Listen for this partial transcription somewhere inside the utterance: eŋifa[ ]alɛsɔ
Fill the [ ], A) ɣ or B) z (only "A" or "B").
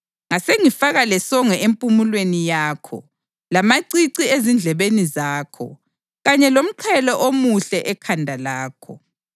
A